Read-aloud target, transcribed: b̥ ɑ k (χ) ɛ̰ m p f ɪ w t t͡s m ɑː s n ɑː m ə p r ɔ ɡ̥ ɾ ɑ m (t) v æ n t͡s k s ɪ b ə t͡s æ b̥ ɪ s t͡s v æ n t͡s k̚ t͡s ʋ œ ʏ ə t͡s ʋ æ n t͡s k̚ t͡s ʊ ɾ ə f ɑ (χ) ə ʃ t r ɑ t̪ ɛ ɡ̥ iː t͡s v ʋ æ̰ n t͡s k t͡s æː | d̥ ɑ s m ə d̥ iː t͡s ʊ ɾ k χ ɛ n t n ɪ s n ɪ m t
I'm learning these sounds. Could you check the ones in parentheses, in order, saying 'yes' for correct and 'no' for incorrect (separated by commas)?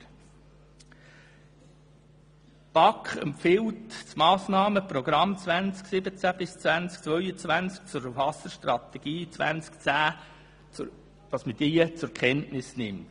yes, no, no